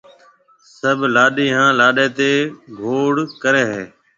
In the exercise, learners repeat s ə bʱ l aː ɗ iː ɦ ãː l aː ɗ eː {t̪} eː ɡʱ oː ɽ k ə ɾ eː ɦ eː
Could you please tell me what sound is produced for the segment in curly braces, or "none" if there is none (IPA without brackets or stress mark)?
t̪